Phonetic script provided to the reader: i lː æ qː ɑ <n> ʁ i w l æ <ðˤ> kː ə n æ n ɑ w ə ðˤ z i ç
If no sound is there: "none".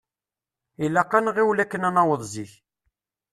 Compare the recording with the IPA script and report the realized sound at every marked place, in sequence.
n, none

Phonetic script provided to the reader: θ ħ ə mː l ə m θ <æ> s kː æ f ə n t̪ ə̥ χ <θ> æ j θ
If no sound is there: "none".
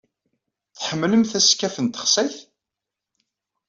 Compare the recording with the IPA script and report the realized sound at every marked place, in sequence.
æ, s

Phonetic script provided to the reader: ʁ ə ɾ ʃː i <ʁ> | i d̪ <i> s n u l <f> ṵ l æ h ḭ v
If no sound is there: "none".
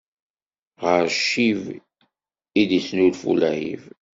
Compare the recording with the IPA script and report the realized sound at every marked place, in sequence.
v, i, f

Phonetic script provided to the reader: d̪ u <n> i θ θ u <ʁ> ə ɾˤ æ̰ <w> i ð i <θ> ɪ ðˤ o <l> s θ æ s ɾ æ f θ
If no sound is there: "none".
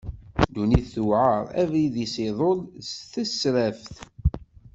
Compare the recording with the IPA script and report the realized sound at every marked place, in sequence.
n, ʕ, v, s, l

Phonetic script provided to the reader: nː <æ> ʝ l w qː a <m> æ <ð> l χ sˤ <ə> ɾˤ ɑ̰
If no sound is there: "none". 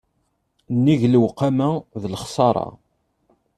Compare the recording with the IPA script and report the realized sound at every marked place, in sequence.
i, m, ð, ɑ

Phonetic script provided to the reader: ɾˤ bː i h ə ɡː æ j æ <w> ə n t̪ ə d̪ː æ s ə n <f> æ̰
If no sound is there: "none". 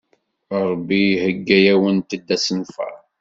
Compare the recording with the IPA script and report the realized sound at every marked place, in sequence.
w, f

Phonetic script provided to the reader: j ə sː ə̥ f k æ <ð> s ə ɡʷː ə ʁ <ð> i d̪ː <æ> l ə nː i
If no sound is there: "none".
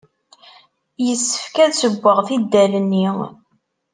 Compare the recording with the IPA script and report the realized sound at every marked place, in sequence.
ð, θ, æ

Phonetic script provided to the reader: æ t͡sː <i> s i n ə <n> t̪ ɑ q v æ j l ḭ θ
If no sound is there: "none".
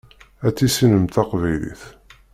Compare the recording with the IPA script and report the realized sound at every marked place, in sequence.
i, m

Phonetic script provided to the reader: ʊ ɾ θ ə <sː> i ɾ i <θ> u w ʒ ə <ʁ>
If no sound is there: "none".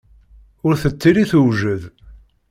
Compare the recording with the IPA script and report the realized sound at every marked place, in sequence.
t͡sː, θ, ð

